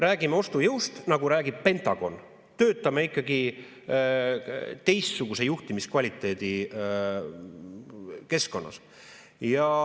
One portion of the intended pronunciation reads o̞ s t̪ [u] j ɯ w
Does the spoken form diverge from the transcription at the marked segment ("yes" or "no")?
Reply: no